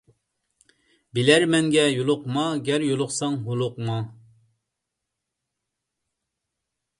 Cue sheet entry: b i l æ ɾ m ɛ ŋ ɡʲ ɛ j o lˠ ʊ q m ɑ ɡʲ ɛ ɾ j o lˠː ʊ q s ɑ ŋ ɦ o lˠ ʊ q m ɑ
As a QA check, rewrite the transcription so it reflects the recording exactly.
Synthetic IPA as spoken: b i l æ ɾ m ɛ ŋ ɡʲ ɛ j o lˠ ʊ q m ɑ ɡʲ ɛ ɾ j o lˠ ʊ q s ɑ ŋ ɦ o lˠ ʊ q m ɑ